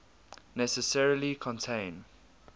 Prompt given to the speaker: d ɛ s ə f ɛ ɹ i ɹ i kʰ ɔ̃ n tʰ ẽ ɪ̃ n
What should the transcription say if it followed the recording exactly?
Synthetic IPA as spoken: n ɛ s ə s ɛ ɹ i l i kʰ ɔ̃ n tʰ ẽ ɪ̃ n